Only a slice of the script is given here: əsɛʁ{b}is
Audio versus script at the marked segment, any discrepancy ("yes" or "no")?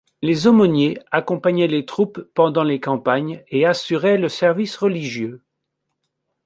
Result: yes